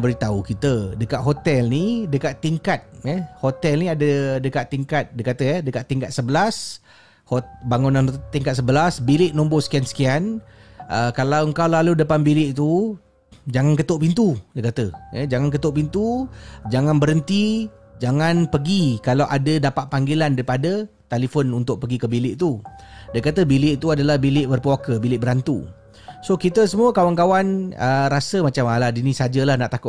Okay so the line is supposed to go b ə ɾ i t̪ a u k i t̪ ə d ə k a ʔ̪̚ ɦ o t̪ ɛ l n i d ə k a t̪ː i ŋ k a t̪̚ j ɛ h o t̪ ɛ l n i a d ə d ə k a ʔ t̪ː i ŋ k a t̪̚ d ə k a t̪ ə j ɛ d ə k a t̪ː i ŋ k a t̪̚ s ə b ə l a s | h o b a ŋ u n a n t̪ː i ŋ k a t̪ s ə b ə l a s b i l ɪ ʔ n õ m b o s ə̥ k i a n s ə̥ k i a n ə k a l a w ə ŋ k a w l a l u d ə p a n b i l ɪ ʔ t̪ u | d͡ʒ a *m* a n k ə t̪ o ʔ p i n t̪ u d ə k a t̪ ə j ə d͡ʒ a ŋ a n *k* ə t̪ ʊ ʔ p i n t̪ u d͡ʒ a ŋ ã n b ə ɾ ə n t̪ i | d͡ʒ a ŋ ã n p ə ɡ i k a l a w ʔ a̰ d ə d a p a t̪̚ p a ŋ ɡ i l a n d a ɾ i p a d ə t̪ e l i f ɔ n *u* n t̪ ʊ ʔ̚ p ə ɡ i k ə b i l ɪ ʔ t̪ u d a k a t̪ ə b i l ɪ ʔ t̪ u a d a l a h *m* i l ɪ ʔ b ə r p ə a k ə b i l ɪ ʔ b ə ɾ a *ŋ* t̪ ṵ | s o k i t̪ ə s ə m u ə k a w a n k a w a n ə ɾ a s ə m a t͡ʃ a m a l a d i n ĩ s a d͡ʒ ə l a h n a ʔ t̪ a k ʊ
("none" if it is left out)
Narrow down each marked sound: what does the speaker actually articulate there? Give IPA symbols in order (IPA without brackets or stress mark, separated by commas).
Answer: ŋ, k, u, b, n